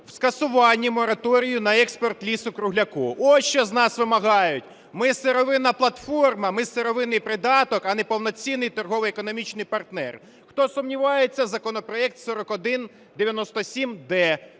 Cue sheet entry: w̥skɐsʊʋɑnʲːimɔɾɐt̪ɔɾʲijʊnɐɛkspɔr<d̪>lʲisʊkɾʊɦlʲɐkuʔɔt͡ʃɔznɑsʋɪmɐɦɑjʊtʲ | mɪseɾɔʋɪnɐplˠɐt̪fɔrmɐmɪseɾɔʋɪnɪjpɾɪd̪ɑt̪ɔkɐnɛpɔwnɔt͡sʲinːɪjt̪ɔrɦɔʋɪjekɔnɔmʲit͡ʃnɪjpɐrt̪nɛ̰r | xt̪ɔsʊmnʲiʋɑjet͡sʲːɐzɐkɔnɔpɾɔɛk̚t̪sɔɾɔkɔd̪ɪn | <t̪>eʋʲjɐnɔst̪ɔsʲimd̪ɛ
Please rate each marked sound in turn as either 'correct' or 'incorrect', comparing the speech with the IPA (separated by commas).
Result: incorrect, incorrect